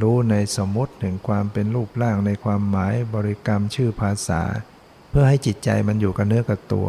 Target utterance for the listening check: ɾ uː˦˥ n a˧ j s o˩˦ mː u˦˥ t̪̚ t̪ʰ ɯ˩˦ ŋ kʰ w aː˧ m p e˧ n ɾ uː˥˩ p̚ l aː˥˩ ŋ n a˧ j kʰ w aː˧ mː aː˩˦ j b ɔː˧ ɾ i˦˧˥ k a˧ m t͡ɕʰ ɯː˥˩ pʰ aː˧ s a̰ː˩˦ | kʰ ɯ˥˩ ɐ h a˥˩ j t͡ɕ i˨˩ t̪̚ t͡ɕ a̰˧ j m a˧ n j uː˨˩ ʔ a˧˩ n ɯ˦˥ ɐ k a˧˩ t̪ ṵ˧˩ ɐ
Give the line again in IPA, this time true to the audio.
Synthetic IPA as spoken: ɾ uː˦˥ n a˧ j s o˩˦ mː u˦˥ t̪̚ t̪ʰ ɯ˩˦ ŋ kʰ w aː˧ m p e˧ n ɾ uː˥˩ p̚ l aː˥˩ ŋ n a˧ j kʰ w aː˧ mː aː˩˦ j b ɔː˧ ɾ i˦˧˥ k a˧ m t͡ɕʰ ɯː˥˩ pʰ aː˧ s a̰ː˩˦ | pʰ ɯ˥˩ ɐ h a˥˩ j t͡ɕ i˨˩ t̪̚ t͡ɕ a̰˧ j m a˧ n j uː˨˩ k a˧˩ n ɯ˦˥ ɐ k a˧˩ t̪ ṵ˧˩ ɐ